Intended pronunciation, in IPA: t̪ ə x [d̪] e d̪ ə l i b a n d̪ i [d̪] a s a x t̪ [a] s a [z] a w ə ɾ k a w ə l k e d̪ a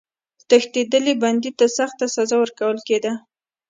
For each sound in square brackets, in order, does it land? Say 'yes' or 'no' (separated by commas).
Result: no, no, yes, yes